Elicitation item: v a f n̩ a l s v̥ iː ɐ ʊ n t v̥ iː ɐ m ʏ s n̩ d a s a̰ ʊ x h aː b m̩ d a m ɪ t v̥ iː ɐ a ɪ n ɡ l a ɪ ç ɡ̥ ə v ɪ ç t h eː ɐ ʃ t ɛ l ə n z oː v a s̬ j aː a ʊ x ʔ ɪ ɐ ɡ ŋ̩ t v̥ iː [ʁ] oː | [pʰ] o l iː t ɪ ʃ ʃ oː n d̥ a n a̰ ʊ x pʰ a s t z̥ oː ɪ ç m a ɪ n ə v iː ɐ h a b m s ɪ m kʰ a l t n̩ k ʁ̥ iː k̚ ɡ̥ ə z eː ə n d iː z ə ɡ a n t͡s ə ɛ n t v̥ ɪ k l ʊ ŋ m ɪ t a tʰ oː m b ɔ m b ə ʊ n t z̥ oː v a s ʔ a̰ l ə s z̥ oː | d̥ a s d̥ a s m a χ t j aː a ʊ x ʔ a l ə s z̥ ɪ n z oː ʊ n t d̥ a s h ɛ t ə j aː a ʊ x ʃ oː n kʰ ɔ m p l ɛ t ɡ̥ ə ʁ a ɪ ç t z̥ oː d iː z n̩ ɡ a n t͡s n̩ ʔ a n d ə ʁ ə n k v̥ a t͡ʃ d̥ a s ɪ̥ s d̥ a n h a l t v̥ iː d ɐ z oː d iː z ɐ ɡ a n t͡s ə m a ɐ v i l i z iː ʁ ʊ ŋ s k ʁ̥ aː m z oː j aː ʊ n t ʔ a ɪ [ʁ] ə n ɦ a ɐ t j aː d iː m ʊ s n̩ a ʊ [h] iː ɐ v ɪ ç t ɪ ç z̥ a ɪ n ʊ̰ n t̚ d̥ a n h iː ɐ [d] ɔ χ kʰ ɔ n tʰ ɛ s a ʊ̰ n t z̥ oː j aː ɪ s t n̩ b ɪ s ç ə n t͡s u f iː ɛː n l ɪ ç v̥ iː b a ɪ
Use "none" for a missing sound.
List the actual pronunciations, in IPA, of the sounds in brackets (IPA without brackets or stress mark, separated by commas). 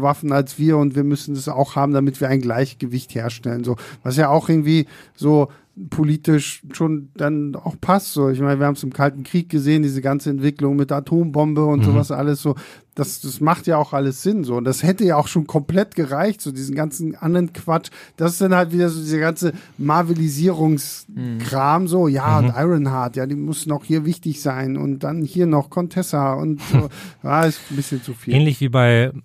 z, pʰ, ʁ, h, n